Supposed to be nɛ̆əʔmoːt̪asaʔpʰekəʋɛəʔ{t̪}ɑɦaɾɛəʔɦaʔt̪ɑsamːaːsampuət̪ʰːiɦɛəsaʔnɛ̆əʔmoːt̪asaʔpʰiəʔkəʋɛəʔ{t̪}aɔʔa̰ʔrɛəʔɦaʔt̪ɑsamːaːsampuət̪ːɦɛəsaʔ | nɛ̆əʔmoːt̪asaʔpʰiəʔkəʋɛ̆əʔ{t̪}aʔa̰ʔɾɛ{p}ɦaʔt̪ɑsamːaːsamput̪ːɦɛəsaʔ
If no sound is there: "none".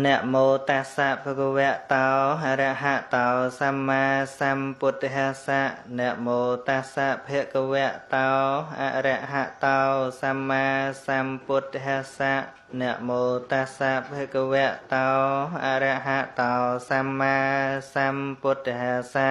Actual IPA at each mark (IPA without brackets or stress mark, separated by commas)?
t̪, t̪, t̪, ʔ